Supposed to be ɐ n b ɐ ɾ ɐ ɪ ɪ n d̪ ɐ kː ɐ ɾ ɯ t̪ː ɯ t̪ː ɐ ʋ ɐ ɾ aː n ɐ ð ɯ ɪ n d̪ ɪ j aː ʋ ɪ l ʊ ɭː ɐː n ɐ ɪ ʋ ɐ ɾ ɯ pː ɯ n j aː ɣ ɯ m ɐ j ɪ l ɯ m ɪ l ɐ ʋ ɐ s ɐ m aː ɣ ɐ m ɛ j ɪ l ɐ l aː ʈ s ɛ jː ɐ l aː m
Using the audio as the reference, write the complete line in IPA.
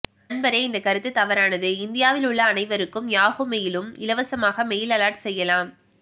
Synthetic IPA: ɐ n b ɐ ɾ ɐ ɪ ɪ n d̪ ɐ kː ɐ ɾ ɯ t̪ː ɯ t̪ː ɐ ʋ ɐ ɾ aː n ɐ ð ɯ ɪ n d̪ ɪ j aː ʋ ɪ l ʊ ɭː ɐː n ɐ ɪ ʋ ɐ ɾ ɯ kː ɯ m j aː ɣ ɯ m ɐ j ɪ l ɯ m ɪ l ɐ ʋ ɐ s ɐ m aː ɣ ɐ m ɛ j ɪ l ɐ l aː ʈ s ɛ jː ɐ l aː m